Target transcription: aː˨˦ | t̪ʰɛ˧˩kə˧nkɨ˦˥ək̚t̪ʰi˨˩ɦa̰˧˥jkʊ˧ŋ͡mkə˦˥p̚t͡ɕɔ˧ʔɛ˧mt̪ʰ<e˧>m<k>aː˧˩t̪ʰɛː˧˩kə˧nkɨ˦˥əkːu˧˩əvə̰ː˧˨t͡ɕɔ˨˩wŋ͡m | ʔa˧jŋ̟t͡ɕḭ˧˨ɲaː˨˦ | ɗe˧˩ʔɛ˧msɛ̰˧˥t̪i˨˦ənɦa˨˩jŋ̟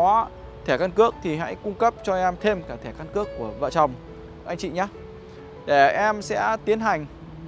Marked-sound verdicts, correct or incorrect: correct, correct

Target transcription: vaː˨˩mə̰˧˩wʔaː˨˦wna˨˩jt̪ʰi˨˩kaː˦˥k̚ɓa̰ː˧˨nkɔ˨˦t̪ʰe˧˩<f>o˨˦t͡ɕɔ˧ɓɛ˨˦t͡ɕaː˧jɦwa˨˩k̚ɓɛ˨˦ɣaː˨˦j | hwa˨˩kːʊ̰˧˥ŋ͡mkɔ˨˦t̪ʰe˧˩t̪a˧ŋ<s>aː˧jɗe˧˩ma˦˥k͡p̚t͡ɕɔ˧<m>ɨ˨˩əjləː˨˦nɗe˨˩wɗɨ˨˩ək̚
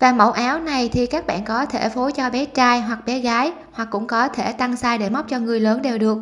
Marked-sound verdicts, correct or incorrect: correct, correct, incorrect: ŋ

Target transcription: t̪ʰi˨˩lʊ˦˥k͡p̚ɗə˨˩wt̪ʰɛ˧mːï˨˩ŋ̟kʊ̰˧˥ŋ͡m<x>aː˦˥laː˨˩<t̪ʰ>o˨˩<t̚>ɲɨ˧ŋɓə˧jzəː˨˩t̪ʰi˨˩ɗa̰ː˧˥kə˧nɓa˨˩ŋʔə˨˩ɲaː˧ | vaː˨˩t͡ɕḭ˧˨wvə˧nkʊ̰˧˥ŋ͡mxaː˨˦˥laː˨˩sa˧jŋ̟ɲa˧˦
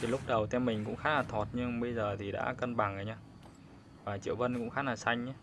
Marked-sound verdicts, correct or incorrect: correct, correct, correct

